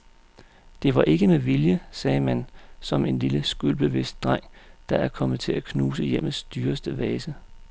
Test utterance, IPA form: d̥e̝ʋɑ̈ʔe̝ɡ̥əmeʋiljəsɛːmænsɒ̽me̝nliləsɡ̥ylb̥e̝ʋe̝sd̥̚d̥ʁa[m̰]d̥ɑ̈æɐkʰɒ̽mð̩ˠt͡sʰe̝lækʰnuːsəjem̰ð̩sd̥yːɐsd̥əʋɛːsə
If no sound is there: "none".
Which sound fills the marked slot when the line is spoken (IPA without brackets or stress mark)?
ŋ̰